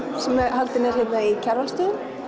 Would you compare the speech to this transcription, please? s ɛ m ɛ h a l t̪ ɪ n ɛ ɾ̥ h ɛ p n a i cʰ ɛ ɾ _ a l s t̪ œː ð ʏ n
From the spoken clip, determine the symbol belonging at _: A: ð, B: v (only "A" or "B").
B